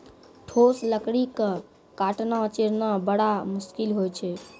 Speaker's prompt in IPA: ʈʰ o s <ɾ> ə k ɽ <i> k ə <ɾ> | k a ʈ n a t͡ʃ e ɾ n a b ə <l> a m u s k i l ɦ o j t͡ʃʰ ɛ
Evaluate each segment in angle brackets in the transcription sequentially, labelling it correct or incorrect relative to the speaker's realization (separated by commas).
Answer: incorrect, correct, incorrect, incorrect